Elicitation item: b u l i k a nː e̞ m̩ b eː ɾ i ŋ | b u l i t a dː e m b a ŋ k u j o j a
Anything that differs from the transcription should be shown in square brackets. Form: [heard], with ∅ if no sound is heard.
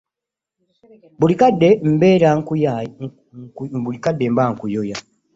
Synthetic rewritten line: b u l i k a [dː] e̞ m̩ b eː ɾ [a] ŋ | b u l i [k] a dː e m b a ŋ k u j o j a